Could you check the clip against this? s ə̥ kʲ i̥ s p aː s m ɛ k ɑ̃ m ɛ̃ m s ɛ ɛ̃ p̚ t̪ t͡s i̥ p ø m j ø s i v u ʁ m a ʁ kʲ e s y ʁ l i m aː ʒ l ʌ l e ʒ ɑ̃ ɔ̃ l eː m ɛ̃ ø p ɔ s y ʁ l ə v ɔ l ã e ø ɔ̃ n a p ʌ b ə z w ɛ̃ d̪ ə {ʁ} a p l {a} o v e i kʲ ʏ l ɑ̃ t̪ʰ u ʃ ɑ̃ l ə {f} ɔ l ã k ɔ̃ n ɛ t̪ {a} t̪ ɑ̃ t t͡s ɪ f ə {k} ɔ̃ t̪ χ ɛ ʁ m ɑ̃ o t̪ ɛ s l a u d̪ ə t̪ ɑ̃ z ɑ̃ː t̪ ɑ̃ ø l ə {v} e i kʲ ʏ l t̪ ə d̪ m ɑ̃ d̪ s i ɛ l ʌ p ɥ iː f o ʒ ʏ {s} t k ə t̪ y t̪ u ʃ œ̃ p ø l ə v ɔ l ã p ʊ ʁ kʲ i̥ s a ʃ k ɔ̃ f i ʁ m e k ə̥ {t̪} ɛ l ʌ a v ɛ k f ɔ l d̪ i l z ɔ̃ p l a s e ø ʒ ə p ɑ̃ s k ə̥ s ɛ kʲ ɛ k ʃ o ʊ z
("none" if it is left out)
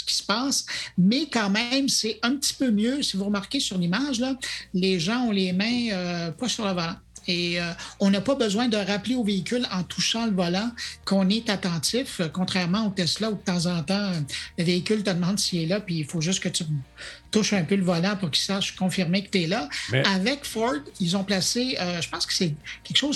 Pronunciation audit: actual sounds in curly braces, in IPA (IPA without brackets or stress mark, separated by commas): ʁ, e, v, a, k, v, s, t̪